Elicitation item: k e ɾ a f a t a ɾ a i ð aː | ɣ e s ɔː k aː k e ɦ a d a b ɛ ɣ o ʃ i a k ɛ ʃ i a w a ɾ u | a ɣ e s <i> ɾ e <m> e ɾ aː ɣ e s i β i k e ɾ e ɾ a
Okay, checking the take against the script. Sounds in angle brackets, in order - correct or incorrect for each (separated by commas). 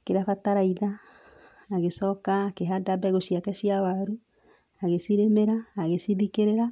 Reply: correct, correct